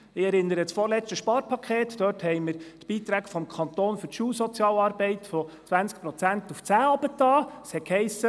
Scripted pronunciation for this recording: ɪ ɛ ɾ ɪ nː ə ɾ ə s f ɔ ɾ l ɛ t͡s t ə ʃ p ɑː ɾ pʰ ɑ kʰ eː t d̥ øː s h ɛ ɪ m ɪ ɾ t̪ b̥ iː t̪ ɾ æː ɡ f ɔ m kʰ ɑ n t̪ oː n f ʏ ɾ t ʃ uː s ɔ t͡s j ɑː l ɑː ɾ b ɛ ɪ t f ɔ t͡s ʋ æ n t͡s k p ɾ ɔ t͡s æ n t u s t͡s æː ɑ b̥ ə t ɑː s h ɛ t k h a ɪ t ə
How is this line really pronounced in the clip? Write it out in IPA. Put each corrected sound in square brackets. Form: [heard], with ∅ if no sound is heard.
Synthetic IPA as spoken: ɪ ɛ ɾ ɪ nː ə ɾ ə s f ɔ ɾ l ɛ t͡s t ə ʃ p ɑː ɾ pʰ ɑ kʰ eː t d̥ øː [t] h ɛ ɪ m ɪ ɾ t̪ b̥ iː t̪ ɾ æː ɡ f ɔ m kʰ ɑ n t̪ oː n f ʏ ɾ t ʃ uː s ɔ t͡s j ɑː l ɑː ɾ b ɛ ɪ t f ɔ t͡s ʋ æ n t͡s k p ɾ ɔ t͡s æ n t u [f] t͡s æː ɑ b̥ ə t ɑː s h ɛ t k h [ɛ] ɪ [s] ə